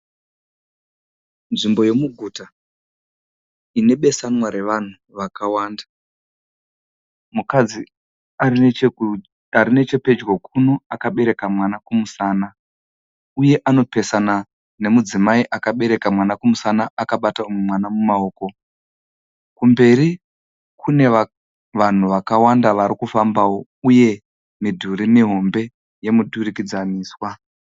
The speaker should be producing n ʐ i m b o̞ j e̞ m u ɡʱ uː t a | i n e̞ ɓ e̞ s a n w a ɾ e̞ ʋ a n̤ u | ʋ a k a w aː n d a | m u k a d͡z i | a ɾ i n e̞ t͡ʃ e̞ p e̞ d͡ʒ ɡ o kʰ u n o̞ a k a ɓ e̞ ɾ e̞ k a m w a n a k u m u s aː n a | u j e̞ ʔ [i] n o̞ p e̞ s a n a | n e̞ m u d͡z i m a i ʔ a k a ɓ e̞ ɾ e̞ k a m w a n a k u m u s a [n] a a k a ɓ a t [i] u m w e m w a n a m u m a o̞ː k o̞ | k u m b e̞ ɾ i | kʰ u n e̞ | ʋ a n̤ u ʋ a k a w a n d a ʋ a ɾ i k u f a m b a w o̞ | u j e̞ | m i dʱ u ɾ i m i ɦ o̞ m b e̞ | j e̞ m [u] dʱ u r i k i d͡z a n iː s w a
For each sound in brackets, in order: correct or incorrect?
incorrect: a, correct, incorrect: a, correct

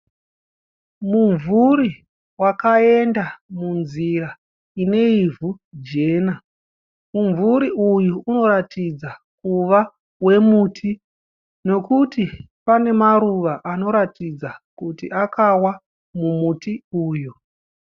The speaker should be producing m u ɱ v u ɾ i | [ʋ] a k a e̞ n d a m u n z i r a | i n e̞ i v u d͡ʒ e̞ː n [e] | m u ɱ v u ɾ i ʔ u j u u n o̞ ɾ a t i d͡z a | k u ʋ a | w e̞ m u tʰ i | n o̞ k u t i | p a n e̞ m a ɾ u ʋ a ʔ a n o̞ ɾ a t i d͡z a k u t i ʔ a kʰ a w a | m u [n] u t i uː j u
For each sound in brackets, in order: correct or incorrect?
incorrect: w, incorrect: a, incorrect: m

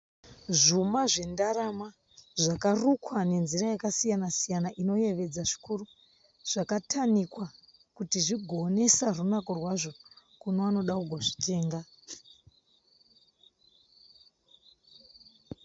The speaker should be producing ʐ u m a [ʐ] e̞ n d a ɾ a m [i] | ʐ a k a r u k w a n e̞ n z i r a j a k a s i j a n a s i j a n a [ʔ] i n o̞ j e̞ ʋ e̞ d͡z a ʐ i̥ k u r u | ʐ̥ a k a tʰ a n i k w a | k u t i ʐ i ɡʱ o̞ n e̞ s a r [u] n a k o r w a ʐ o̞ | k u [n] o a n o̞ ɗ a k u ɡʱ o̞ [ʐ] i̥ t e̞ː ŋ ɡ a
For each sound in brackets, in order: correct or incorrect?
correct, incorrect: a, correct, correct, correct, correct

